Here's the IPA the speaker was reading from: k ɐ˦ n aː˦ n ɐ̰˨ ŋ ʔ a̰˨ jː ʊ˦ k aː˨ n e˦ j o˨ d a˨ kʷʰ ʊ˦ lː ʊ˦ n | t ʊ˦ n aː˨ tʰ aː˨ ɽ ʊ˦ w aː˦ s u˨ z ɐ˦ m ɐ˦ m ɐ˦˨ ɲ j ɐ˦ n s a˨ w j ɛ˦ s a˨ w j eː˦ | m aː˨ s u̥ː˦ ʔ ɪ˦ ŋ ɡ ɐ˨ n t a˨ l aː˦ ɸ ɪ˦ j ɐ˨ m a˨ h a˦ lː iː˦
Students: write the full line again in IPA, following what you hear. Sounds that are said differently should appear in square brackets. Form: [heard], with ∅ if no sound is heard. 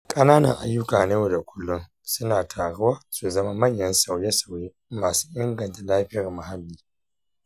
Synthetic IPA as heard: [kʼ] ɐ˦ n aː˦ n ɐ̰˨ ŋ ʔ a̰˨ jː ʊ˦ k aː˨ n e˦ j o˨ d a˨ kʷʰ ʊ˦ lː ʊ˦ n | [s] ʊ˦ n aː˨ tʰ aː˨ ɽ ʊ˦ w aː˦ s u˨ z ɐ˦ m [a˦] m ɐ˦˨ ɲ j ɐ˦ n s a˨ w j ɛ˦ s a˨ w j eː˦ | m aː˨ s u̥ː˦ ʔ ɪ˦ ŋ ɡ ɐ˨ n t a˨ l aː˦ ɸ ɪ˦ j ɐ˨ m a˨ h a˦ lː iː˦